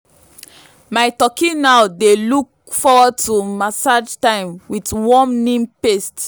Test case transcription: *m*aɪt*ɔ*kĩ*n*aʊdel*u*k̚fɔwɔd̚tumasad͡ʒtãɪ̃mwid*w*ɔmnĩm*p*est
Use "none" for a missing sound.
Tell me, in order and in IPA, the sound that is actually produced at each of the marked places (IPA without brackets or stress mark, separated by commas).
m, ɔ, n, u, w, p